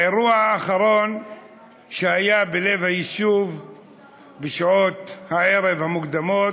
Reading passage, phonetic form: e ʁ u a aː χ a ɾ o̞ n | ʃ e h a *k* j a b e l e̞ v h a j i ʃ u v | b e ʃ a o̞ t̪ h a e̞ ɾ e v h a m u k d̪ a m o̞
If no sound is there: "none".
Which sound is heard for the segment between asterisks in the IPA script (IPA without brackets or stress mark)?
none